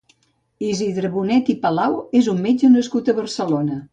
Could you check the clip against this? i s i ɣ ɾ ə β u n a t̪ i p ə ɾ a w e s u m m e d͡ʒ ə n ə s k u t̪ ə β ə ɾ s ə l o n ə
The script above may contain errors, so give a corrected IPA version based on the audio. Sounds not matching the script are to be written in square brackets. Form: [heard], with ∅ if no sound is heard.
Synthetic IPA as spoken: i [z] i [ð] ɾ ə β u n [ɛ] t̪ i p ə [l] a w e [z] u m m e d͡ʒ ə n ə s k u t̪ ə β ə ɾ s ə l o n ə